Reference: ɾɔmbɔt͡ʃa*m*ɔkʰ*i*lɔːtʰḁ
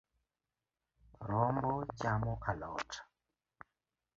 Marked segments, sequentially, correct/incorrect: correct, incorrect: a

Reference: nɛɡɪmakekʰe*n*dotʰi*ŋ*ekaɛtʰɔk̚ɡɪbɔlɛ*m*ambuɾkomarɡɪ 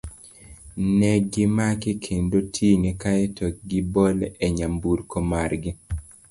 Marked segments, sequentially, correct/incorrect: correct, correct, incorrect: ɲ

